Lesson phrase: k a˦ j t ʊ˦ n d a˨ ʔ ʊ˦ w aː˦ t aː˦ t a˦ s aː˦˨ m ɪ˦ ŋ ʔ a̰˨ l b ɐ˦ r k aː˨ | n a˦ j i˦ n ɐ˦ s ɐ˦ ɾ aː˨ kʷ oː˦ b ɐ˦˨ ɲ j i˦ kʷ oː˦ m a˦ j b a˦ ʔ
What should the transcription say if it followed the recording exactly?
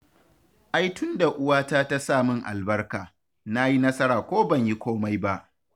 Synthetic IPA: ʔ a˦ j t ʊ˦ n d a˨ ʔ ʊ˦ w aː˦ t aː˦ t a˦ s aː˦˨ m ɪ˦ ŋ ʔ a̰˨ l b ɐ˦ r k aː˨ | n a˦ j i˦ n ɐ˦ s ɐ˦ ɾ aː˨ kʷ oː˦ b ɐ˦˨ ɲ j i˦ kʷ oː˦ m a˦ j b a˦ ʔ